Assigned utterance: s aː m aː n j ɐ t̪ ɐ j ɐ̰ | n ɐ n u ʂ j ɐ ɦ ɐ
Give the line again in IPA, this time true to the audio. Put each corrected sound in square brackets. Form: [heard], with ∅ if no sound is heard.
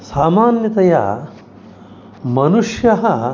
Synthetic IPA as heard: s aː m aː n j ɐ t̪ ɐ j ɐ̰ | [m] ɐ n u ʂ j ɐ ɦ ɐ